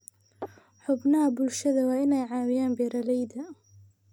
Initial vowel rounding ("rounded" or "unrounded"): rounded